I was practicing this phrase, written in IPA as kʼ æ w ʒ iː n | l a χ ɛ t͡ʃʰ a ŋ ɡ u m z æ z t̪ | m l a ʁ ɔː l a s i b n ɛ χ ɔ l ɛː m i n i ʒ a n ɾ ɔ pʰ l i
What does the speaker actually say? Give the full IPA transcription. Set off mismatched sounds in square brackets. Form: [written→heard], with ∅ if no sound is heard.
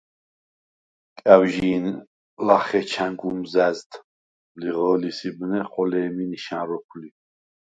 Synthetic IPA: kʼ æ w ʒ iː n | l a χ ɛ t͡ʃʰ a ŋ ɡ u m z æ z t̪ | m l [a→i] ʁ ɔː l [a→i] s i b n ɛ χ ɔ l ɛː m i n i [ʒ→ʃ] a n ɾ ɔ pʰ l i